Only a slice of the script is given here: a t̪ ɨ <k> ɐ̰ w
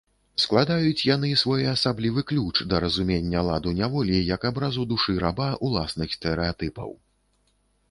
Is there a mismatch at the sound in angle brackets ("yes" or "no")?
yes